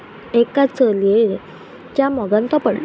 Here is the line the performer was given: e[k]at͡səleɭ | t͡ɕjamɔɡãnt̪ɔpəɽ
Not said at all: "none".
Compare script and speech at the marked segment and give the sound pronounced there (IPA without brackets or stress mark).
k